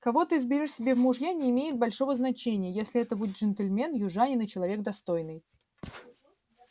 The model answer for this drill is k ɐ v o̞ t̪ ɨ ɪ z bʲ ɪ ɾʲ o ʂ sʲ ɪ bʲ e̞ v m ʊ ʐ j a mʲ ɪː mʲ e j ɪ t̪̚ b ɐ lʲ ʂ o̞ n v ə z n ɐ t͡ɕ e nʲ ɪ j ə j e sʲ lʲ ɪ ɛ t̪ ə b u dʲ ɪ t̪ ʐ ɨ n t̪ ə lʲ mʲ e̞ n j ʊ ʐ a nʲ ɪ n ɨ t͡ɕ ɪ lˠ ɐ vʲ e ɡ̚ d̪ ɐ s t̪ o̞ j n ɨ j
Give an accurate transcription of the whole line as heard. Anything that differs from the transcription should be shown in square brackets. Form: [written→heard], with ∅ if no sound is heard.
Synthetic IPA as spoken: k ɐ v o̞ t̪ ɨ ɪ z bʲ ɪ ɾʲ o ʂ sʲ ɪ bʲ e̞ v m ʊ ʐ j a [mʲ→nʲ] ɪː mʲ e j ɪ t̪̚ b ɐ lʲ ʂ o̞ [n→∅] v ə z n ɐ t͡ɕ e nʲ ɪ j ə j e sʲ lʲ ɪ ɛ t̪ ə b u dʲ ɪ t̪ ʐ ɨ n t̪ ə lʲ mʲ e̞ n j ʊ ʐ a nʲ ɪ n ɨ t͡ɕ ɪ lˠ ɐ vʲ e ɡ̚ d̪ ɐ s t̪ o̞ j n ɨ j